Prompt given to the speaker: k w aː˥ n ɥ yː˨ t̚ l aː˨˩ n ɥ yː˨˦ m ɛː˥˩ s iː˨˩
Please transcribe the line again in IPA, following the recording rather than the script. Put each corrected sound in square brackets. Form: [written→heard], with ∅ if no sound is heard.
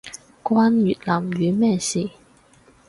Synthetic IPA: k w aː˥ n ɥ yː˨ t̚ l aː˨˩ [n→m] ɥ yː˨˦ m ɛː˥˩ s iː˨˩